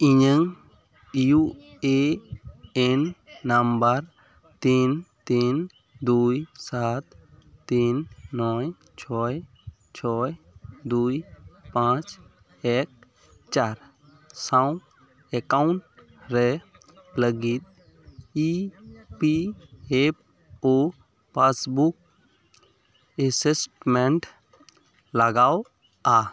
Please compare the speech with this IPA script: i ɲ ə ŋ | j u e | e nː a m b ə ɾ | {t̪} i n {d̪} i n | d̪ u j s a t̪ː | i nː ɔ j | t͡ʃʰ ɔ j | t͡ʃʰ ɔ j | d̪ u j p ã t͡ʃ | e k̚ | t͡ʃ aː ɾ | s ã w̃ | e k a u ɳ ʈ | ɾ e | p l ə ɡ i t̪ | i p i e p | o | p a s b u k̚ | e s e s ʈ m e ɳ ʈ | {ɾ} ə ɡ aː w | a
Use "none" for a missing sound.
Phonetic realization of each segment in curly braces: t̪, t̪, l

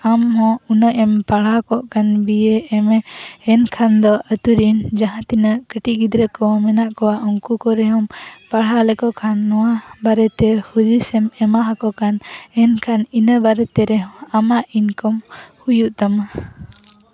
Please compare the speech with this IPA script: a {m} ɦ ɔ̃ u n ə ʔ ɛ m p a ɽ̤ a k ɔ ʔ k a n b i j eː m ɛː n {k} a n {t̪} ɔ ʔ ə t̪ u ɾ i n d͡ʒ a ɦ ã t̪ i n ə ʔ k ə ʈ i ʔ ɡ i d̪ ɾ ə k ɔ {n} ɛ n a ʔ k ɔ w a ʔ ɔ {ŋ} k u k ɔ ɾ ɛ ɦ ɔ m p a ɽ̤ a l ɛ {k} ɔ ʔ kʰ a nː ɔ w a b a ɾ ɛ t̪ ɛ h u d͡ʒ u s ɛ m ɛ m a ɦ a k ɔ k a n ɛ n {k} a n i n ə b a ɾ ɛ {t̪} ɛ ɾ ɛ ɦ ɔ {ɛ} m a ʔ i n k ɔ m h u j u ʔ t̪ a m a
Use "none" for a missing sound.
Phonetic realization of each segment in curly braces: m, kʰ, d̪, m, ŋ, k, kʰ, t̪, a

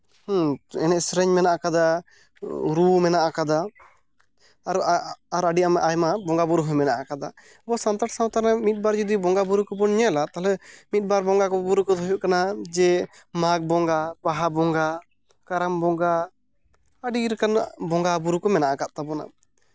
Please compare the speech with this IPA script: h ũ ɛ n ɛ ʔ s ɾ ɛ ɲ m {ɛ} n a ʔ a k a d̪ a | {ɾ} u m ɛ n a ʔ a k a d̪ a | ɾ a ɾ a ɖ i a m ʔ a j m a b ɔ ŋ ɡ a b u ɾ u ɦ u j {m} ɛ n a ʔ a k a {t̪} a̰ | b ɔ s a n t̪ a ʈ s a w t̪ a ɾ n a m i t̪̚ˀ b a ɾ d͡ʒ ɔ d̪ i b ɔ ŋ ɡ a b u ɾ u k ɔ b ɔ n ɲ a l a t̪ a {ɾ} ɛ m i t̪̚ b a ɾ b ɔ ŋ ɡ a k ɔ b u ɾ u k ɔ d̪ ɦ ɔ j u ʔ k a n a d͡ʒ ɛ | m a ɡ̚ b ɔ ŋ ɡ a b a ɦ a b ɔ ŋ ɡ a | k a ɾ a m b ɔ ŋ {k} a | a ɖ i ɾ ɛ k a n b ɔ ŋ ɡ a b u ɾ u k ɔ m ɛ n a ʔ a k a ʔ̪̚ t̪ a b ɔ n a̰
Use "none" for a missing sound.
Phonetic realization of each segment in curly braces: ɛ, ɾ, m, d̪, l, ɡ

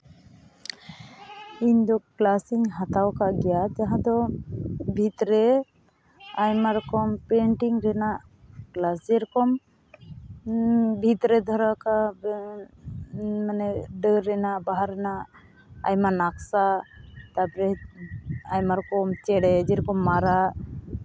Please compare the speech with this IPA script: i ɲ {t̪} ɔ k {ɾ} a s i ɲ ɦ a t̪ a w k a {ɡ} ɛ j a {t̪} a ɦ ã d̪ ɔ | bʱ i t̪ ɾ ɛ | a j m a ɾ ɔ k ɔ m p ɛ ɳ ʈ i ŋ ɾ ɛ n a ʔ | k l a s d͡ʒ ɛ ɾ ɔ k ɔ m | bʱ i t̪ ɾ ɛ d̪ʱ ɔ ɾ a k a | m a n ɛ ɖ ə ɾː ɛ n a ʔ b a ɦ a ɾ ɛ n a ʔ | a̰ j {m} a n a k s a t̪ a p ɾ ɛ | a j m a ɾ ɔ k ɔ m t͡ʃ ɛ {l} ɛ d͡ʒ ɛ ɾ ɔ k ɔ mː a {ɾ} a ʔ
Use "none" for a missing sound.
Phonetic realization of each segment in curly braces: d̪, l, ɡ, t̪, m, ɽ, ɾ

